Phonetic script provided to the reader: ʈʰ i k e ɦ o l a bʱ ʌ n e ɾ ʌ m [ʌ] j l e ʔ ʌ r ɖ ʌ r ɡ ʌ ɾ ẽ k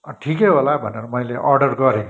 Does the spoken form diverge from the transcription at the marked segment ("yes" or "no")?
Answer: no